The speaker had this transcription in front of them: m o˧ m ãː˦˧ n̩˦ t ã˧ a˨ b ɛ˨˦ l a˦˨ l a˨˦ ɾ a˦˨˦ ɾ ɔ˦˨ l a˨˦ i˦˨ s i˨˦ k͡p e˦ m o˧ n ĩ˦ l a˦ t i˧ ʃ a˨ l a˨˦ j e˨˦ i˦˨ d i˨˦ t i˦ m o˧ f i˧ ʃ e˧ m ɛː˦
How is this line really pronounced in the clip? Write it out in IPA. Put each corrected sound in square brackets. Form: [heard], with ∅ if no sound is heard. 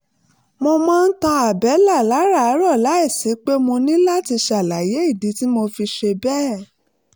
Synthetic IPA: m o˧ m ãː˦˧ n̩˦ t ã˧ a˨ b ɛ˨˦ l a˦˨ l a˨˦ ɾ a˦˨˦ ɾ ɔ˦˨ l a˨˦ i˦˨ s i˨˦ k͡p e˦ m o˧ n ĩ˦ l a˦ t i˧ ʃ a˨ l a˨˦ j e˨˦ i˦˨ d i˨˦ t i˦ m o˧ f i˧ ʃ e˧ [b] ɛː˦